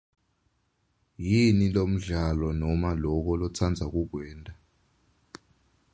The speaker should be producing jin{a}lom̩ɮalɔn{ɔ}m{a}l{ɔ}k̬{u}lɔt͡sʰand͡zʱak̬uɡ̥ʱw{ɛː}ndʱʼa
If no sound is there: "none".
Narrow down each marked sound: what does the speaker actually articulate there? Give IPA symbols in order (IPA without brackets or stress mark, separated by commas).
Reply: i, ɔ, a, ɔ, ɔ, ɛː